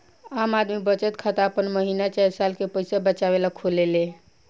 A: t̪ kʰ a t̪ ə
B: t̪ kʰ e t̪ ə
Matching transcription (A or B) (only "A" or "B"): A